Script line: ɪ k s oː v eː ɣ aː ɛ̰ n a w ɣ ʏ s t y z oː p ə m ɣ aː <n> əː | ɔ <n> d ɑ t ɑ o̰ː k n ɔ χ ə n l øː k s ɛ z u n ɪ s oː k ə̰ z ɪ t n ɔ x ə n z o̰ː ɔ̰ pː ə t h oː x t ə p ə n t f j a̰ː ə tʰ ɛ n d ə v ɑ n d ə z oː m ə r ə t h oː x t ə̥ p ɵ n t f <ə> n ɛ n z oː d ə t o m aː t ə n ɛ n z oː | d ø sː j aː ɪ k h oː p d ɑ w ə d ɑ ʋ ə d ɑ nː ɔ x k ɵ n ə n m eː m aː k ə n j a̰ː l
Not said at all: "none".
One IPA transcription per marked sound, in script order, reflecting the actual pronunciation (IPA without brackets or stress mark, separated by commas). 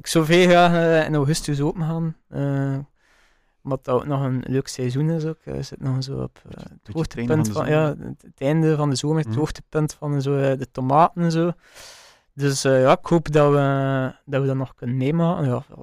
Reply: n, m, ɑ